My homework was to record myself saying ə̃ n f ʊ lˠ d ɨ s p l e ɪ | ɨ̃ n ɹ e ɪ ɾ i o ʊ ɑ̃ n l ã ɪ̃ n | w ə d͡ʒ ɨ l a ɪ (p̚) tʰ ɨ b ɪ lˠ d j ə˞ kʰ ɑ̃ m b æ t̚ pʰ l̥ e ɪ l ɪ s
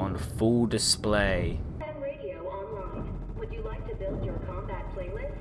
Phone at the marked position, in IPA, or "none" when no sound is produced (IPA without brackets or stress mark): k̚